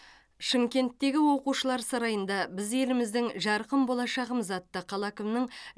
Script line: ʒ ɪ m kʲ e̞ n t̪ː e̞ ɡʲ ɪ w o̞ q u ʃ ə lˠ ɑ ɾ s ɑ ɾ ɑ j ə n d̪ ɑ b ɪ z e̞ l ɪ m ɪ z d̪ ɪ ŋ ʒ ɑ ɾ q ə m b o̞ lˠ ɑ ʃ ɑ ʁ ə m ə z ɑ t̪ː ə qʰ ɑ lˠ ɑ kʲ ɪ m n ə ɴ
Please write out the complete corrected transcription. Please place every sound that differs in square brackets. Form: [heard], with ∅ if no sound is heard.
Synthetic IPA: [ʃ] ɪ m kʲ e̞ n t̪ː e̞ ɡʲ ɪ w o̞ q u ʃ ə lˠ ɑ ɾ s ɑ ɾ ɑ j ə n d̪ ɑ b ɪ z e̞ l ɪ m ɪ z d̪ ɪ ŋ ʒ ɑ ɾ q ə m b o̞ lˠ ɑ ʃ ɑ ʁ ə m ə z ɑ t̪ː ə qʰ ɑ lˠ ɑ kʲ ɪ m n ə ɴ